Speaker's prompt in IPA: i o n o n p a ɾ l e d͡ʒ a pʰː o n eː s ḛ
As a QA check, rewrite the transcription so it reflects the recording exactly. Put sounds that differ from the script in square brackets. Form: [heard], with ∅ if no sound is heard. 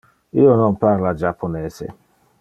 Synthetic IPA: i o n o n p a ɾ l [a] d͡ʒ a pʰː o n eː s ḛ

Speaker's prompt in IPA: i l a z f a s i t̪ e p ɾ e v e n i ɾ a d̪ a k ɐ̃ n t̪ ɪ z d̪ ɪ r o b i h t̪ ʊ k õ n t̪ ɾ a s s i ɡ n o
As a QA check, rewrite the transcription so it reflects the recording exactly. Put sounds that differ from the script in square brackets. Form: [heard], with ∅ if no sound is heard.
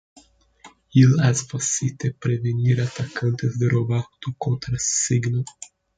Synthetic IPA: i l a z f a s i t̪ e p ɾ e v e n i ɾ a [t̪] a k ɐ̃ n t̪ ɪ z d̪ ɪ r o b [a] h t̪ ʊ k õ n t̪ ɾ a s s i ɡ n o

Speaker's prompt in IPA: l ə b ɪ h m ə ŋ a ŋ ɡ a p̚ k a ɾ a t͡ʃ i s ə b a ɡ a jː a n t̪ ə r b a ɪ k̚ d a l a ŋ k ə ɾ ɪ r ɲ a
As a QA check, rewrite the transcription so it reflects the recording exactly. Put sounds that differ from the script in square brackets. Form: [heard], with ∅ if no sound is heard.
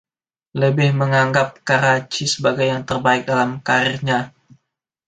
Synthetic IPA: l ə b ɪ h m ə ŋ a ŋ ɡ a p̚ k a ɾ a t͡ʃ i s ə b a ɡ a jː a [ŋ] t̪ ə r b a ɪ k̚ d a l a [m] k [a] ɾ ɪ r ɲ a

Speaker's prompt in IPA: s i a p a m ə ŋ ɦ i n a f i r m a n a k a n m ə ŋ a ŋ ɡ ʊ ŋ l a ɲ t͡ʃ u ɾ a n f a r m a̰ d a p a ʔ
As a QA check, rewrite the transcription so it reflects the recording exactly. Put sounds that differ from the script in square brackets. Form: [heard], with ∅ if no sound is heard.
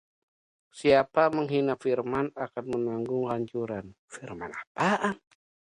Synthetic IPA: s i a p a m ə ŋ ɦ i n a f i r m a n a k a n m ə [n] a ŋ ɡ ʊ ŋ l a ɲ t͡ʃ u ɾ a n f [i] r m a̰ [n] a p a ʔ

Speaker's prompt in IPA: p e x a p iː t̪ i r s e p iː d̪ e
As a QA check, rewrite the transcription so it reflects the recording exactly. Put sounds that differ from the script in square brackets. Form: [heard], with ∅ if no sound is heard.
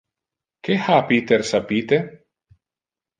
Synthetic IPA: [k] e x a p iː t̪ [e] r s [a] p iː [t̪] e

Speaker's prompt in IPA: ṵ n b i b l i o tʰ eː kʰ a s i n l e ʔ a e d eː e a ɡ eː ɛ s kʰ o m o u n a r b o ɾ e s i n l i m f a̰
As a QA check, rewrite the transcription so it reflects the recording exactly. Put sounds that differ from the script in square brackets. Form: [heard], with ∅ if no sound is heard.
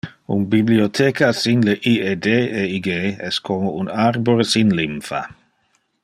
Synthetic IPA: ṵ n b i b l i o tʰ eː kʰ a s i n l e ʔ [i] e d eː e [i] ɡ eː ɛ s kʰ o m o u n a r b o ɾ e s i n l i m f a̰

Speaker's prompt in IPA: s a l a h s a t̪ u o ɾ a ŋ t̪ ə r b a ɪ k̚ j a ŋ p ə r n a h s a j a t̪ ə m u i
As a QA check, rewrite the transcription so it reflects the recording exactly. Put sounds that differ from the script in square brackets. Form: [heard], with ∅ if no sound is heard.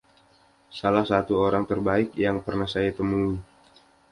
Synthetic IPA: s a l a h s a t̪ u o ɾ a ŋ t̪ ə r b a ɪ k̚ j a ŋ p ə r n a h s a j a t̪ ə m u i

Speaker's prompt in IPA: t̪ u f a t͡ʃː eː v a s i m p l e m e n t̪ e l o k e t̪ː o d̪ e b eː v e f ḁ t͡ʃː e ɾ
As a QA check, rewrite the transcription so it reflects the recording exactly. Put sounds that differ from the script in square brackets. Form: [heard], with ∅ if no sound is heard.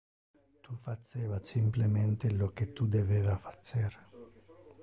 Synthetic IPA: t̪ u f a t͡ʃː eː v a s i m p l e m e n t̪ e l o k e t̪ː [u] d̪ e [v] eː v [a] f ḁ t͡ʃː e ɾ

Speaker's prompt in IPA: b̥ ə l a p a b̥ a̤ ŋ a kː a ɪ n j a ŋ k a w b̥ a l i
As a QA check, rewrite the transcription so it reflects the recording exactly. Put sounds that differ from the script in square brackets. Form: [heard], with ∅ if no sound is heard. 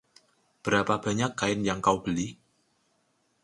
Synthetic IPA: b̥ ə [ɾ] a p a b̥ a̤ [ɲ] a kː a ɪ n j a ŋ k a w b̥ [ə] l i

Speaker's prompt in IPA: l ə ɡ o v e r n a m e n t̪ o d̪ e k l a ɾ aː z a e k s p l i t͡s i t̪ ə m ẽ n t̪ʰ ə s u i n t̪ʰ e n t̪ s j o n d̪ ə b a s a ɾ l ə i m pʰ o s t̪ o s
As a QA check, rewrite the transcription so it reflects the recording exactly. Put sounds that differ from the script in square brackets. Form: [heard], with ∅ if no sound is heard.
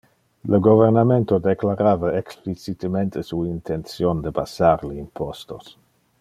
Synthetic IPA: l ə ɡ o v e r n a m e n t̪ o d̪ e k l a ɾ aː [v] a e k s p l i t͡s i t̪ ə m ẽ n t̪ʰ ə s u i n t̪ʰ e n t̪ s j o n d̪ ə b a s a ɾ l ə i m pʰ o s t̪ o s

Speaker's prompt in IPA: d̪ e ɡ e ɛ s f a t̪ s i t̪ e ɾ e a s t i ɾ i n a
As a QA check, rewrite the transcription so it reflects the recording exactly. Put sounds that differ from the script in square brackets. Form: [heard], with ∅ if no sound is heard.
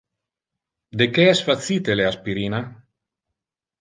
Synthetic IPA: d̪ e [k] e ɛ s f a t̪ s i t̪ e [l] e a s [p] i ɾ i n a

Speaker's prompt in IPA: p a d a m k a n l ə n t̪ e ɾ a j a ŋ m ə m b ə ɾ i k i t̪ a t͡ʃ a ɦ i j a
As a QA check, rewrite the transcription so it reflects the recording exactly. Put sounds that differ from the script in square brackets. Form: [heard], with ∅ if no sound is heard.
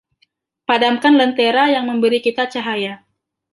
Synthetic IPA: p a d a m k a n l ə n t̪ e ɾ a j a ŋ m ə m b ə ɾ i k i t̪ a t͡ʃ a ɦ [a] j a

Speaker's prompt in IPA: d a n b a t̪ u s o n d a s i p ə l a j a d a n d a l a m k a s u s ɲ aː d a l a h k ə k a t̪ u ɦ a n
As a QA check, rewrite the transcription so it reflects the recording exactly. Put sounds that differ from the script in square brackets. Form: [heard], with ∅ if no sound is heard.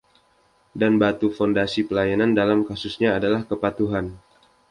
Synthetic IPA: d a n b a t̪ u [f] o n d a s i p ə l a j a [n] a n d a l a m k a s u s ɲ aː d a l a h k ə [p] a t̪ u ɦ a n

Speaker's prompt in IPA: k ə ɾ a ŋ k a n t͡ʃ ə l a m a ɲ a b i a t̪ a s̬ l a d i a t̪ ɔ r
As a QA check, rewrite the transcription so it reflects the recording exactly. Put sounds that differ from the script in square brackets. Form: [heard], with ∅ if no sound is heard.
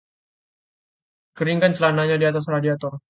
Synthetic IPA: k ə ɾ [i] ŋ k a n t͡ʃ ə l a [n] a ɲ a [d] i a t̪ a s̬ [r] a d i a t̪ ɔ r

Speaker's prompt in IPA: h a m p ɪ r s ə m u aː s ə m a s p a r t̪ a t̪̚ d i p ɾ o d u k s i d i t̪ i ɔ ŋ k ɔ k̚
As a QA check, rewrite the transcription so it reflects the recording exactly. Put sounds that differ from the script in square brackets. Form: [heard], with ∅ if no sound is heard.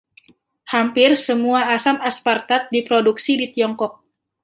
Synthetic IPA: h a m p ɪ r s ə m u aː s [a] m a s p a r t̪ a t̪̚ d i p ɾ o d u k s i d i t̪ i ɔ ŋ k ɔ k̚

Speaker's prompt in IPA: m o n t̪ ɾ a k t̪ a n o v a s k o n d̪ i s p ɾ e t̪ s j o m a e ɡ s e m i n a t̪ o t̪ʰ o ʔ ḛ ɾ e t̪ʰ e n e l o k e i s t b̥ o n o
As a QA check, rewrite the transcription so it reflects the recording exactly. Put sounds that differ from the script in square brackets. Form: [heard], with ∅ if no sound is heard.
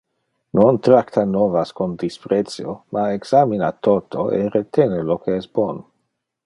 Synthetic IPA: [n] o n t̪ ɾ a k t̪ a n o v a s k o n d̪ i s p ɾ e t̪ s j o m a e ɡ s [a] m i n a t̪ o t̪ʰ o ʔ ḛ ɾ e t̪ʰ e n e l o k e [ɛ] s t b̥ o n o

